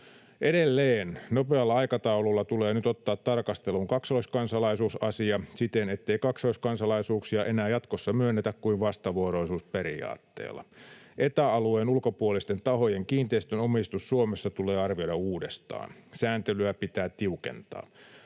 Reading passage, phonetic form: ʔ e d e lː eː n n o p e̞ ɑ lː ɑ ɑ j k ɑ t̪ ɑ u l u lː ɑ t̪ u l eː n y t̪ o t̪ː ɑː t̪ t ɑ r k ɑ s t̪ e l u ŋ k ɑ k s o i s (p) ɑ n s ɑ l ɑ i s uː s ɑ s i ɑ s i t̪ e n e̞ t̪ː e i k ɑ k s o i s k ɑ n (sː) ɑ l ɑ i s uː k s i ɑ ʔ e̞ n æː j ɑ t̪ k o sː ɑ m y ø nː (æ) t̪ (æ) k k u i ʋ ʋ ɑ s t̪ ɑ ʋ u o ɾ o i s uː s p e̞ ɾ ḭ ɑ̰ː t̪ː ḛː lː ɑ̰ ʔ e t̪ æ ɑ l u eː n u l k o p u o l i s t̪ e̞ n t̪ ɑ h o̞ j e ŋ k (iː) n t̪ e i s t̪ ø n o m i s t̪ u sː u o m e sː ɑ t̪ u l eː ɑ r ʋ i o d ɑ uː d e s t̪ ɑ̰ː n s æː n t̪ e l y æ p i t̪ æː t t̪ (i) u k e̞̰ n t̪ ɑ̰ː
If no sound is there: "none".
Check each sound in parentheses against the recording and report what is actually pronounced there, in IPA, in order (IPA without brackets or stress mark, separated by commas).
k, s, e, æ, iː, i